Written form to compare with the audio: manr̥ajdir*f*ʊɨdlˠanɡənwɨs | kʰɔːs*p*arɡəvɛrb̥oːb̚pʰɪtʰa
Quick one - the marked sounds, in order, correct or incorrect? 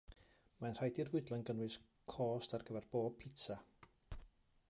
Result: incorrect, incorrect

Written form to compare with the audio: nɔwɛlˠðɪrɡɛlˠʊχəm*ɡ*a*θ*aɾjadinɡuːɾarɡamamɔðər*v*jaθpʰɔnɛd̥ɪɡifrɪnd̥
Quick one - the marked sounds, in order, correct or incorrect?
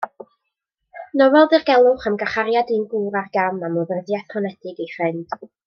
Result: correct, incorrect, incorrect

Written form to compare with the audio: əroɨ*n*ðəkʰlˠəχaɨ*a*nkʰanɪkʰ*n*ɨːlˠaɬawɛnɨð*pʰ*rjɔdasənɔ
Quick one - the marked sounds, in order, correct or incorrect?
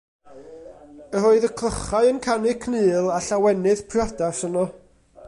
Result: incorrect, incorrect, correct, correct

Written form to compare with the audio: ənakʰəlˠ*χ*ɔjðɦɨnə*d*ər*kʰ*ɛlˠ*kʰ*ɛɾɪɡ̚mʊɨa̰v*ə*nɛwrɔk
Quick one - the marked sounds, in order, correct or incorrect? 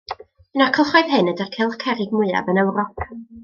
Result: correct, correct, correct, correct, correct

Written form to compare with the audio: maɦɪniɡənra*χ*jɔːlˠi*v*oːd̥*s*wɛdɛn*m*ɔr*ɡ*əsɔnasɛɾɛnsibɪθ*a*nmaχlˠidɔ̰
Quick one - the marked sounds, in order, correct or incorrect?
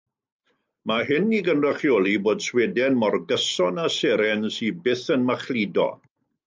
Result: correct, incorrect, correct, correct, correct, incorrect

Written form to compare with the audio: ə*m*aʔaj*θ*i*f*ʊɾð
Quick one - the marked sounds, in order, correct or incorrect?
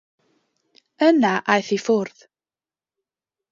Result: incorrect, correct, correct

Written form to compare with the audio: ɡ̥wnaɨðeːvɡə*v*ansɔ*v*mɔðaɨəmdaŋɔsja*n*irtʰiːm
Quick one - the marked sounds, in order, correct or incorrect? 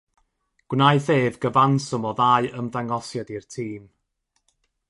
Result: correct, incorrect, incorrect

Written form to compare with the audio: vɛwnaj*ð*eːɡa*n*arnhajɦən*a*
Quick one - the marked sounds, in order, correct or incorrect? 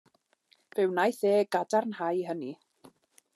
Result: incorrect, incorrect, incorrect

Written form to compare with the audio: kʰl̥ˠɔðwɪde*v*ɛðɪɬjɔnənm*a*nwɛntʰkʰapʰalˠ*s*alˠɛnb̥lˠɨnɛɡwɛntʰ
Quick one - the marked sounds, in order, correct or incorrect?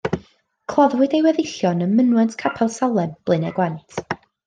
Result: incorrect, incorrect, correct

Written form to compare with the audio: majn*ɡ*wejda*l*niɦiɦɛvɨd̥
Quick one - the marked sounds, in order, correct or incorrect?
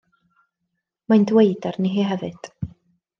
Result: incorrect, incorrect

